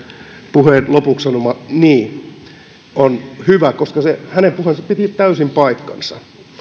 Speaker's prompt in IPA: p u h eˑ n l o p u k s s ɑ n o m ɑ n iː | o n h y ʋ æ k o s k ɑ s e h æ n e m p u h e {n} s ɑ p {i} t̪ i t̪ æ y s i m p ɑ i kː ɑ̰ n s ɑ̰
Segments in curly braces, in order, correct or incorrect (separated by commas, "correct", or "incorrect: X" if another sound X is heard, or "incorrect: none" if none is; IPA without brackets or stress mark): correct, correct